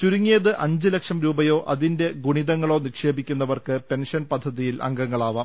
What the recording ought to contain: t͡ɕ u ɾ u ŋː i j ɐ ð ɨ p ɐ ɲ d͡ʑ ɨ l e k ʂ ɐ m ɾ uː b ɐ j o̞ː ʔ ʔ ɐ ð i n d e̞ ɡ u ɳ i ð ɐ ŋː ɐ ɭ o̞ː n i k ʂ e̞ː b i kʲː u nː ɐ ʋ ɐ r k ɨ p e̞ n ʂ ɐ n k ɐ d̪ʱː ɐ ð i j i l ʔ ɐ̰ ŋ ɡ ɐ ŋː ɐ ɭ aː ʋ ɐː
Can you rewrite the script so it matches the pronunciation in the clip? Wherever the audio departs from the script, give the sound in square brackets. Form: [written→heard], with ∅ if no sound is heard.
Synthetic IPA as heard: t͡ɕ u ɾ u ŋː i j ɐ ð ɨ [p→ʔ] ɐ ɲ d͡ʑ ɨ l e k ʂ ɐ m ɾ uː b ɐ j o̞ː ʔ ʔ ɐ ð i n d e̞ ɡ u ɳ i ð ɐ ŋː ɐ ɭ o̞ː n i k ʂ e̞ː b i kʲː u nː ɐ ʋ ɐ r k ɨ p e̞ n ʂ ɐ n [k→p] ɐ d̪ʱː ɐ ð i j i l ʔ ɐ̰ ŋ ɡ ɐ ŋː ɐ ɭ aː ʋ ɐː